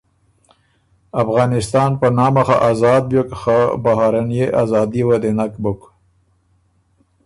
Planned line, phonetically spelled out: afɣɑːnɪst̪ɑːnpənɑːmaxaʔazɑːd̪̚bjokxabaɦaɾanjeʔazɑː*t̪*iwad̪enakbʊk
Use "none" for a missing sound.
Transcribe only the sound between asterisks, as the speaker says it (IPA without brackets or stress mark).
d̪